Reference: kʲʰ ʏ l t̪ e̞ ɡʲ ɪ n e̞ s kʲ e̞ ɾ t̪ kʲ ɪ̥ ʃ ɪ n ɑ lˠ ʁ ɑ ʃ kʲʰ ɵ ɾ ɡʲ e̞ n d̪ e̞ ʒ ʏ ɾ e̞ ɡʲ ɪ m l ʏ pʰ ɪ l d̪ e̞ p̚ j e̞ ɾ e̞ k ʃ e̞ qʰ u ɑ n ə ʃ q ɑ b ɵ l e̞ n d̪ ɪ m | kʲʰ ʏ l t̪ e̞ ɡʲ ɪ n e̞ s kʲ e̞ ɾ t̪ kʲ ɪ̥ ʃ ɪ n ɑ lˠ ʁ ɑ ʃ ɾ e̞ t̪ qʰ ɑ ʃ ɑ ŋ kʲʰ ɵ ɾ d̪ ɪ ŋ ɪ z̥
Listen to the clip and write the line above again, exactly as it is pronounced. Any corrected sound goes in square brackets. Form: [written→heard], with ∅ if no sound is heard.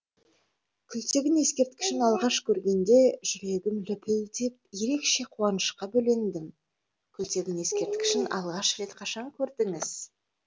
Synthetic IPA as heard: kʲʰ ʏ l t̪ e̞ ɡʲ ɪ n e̞ s kʲ e̞ ɾ t̪ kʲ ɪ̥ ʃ ɪ n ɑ lˠ ʁ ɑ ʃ kʲʰ ɵ ɾ ɡʲ e̞ n d̪ e̞ ʒ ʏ ɾ e̞ ɡʲ ɪ m l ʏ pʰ ɪ l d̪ e̞ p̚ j e̞ ɾ e̞ k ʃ e̞ qʰ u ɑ n ə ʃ q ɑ b ɵ l e̞ n d̪ ɪ m | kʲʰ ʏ l t̪ e̞ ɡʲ ɪ n e̞ s kʲ e̞ ɾ t̪ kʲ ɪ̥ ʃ ɪ n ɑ lˠ ʁ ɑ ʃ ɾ e̞ t̪ qʰ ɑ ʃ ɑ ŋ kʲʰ ɵ ɾ d̪ ɪ ŋ ɪ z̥